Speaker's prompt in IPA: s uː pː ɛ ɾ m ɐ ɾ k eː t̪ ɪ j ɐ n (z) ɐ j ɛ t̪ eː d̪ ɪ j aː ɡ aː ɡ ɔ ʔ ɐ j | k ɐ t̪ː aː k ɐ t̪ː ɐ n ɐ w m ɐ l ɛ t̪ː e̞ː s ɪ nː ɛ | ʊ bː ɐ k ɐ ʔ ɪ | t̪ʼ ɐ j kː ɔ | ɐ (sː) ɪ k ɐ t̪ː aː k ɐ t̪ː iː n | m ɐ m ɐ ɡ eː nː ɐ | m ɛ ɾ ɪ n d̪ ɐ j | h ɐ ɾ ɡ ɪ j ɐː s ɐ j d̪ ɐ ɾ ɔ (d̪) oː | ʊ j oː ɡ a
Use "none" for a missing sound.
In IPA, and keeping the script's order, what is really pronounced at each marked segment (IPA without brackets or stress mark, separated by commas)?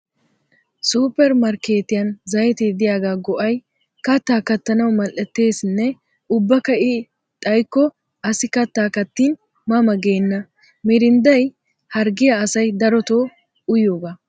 z, s, t̪